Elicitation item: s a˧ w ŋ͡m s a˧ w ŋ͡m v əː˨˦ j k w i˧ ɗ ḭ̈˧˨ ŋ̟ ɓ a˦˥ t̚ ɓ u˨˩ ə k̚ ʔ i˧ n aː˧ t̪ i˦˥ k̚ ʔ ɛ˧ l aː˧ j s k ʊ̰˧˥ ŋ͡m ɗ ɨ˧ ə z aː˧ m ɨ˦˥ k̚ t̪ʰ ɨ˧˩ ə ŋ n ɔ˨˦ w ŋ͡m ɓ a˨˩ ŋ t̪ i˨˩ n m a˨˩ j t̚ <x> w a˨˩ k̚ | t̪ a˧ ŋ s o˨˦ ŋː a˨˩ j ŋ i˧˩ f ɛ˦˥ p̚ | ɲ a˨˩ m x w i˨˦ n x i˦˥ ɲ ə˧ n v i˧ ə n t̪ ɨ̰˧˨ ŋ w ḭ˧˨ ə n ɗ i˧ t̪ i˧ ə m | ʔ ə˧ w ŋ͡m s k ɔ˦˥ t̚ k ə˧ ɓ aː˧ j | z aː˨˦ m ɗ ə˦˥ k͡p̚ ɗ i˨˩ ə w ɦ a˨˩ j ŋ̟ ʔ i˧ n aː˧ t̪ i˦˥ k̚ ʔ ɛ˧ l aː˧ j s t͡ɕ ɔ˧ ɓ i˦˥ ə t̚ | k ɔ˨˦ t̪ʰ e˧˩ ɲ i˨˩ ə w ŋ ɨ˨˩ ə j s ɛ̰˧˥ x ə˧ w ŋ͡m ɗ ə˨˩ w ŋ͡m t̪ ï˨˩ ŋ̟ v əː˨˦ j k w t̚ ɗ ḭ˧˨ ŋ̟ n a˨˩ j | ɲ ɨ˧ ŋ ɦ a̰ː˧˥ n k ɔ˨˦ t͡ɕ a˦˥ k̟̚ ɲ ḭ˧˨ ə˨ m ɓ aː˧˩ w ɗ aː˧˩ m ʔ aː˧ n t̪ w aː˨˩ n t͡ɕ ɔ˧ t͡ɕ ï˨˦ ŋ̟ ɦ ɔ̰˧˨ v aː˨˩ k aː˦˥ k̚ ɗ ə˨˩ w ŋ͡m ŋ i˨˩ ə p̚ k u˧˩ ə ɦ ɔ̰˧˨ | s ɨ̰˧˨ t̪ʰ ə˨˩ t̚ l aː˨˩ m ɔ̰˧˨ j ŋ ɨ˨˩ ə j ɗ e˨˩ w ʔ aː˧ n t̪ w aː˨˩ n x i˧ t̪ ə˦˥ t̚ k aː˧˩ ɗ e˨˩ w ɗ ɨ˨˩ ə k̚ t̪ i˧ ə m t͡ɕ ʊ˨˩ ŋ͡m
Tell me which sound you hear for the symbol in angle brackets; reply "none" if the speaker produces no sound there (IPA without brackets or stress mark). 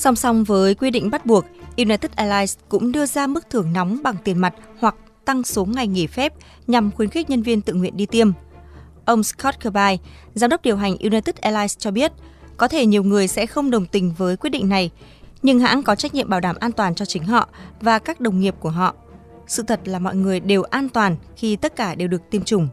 h